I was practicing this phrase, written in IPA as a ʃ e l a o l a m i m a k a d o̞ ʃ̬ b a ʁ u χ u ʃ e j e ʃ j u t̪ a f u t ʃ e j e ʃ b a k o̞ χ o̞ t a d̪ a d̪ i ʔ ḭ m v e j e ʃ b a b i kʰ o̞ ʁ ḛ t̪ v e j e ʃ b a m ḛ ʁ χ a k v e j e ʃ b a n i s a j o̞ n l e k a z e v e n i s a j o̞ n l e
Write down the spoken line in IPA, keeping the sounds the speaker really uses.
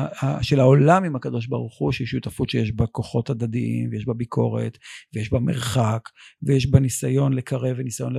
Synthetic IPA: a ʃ e l a o l a m i m a k a d o̞ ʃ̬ b a ʁ u χ u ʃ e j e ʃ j u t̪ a f u t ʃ e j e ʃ b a k o̞ χ o̞ t a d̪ a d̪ i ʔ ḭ m v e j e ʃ b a b i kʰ o̞ ʁ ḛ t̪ v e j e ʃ b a m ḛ ʁ χ a k v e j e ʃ b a n i s a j o̞ n l e k a ʁ e v e n i s a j o̞ n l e